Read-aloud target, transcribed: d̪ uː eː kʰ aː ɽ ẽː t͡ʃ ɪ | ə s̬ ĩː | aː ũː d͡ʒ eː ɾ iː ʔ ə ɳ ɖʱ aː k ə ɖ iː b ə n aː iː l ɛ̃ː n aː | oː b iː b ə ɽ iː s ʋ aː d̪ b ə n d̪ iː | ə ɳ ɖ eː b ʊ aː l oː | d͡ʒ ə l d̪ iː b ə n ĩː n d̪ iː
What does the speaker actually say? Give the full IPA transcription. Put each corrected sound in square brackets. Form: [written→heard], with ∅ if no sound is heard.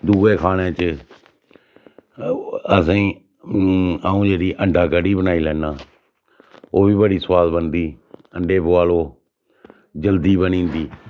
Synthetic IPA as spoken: d̪ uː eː kʰ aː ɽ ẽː t͡ʃ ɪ | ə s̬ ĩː | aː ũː d͡ʒ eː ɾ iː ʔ ə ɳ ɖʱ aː k ə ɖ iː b ə n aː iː l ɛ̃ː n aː | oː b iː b ə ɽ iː s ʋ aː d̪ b ə n d̪ iː | ə ɳ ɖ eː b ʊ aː l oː | d͡ʒ ə l d̪ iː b ə n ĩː n d̪ iː